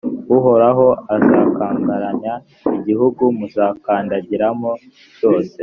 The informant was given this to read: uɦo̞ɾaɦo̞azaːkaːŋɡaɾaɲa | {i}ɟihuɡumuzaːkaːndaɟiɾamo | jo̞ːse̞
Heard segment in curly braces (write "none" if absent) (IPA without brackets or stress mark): i